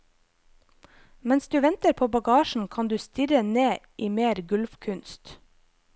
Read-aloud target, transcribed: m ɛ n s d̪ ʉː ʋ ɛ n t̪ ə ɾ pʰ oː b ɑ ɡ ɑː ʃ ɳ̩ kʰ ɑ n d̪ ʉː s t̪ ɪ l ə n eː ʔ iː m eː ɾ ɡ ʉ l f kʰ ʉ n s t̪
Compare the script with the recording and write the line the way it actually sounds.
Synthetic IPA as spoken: m ɛ n s d̪ ʉː ʋ ɛ n t̪ ə ɾ pʰ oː b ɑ ɡ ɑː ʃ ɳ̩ kʰ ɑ n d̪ ʉː s t̪ ɪ ɾ ə n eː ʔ iː m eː ɾ ɡ ʉ l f kʰ ʉ n s t̪